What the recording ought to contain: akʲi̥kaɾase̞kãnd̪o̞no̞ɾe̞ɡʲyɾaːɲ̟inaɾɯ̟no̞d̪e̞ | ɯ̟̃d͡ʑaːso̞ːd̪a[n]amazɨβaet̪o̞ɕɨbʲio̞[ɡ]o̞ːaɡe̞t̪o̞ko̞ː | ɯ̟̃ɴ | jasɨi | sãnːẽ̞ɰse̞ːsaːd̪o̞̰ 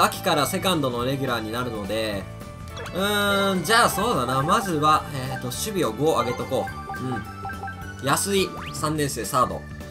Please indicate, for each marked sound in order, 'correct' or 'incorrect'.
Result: correct, correct

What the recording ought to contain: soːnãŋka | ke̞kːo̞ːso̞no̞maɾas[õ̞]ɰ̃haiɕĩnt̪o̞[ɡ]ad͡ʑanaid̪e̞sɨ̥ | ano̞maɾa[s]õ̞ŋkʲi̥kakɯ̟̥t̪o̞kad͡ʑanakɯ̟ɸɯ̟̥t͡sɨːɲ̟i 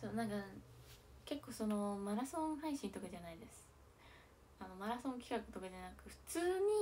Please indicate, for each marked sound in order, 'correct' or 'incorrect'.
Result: correct, incorrect: k, correct

